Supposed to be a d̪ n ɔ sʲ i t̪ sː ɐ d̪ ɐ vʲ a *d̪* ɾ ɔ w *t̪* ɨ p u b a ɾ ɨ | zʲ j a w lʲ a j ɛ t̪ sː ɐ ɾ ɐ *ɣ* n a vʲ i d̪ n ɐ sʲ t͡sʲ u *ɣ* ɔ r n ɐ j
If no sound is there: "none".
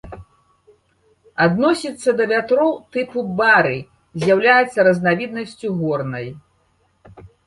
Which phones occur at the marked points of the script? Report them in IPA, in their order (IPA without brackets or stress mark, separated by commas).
t̪, t̪, z, ɣ